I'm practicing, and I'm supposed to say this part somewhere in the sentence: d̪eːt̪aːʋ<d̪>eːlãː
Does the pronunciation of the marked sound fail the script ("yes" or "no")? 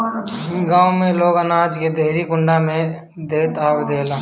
no